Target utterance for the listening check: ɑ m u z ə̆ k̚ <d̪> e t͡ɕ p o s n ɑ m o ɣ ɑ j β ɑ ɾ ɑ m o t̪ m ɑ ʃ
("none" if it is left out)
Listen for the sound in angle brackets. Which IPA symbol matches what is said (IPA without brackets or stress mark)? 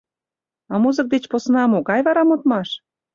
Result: d̪